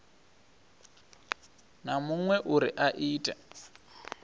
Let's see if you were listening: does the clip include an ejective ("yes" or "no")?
yes